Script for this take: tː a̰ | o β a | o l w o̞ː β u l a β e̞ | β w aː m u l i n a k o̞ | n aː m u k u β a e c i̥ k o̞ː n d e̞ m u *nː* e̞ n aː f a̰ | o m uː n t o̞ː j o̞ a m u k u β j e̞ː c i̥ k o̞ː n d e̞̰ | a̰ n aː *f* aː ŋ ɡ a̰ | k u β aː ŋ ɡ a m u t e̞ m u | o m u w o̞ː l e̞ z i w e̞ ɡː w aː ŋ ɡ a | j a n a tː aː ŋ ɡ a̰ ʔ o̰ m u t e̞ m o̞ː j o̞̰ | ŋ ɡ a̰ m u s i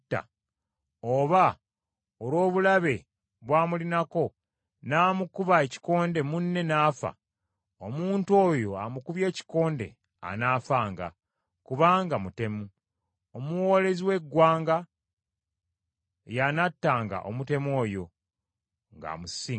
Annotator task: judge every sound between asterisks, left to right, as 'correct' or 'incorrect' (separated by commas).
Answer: correct, correct